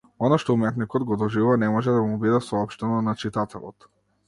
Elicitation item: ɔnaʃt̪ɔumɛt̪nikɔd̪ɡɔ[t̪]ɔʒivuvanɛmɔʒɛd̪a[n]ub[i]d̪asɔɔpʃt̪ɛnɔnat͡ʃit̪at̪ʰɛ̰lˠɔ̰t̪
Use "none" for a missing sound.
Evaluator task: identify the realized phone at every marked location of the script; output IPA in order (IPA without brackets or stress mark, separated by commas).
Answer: d̪, m, i